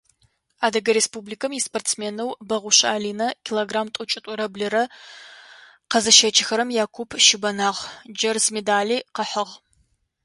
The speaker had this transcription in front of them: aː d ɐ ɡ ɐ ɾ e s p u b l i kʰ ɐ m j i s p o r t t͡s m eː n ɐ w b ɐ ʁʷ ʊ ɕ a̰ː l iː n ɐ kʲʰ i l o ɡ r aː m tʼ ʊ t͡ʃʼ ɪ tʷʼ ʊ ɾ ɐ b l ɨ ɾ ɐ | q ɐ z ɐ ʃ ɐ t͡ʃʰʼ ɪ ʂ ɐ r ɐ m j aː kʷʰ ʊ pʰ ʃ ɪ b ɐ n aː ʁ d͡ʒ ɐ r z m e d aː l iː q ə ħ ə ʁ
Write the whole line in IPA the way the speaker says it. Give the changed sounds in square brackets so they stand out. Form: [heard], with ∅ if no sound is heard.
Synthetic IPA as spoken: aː d ɐ ɡ ɐ ɾ e s p u b l i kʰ ɐ m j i s p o r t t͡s m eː n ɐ w b ɐ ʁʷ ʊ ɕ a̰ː l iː n ɐ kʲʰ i l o ɡ r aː m tʼ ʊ t͡ʃʼ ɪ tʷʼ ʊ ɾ ɐ b l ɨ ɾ ɐ | q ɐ z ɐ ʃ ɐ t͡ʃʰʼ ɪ [x] ɐ [ɾ] ɐ m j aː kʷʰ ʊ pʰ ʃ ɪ b ɐ n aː ʁ d͡ʒ ɐ r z m e d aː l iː q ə ħ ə ʁ